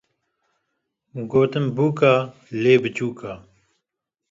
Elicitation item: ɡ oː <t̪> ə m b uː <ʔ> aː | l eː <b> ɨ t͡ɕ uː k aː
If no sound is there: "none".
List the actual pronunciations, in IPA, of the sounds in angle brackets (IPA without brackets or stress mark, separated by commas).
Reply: t̪, k, b